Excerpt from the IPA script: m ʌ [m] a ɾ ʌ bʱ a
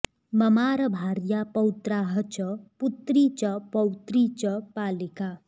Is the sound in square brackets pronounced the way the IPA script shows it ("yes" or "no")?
yes